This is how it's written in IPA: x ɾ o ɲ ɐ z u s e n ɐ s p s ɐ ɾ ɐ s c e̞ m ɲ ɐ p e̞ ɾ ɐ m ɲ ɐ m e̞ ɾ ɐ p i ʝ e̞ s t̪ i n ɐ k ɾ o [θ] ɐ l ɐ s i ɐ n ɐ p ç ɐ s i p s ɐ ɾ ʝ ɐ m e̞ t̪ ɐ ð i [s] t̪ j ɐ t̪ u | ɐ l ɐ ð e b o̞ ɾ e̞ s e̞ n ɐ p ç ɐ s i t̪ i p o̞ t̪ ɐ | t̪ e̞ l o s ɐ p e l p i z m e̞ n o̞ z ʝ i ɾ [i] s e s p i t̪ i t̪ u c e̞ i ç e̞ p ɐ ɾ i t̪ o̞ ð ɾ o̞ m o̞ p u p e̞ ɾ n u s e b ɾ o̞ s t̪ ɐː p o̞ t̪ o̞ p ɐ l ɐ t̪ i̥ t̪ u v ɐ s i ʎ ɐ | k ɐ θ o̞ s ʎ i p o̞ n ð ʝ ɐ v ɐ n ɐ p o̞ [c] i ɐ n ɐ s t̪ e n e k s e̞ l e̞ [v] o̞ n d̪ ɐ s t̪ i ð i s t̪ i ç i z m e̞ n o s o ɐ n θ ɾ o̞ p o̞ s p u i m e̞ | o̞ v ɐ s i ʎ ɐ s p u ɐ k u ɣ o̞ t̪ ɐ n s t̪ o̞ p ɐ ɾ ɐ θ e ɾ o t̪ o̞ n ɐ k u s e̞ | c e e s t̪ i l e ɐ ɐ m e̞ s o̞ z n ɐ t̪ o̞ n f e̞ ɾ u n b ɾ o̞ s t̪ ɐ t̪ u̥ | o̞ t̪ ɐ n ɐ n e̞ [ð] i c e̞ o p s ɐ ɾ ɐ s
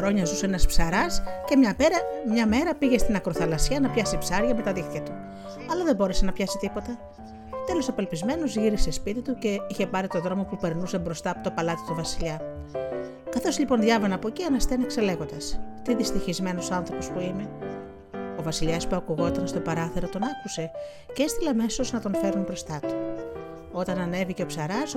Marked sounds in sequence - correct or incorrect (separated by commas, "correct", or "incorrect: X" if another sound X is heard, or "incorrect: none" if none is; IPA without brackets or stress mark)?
correct, incorrect: x, correct, correct, incorrect: ɣ, incorrect: v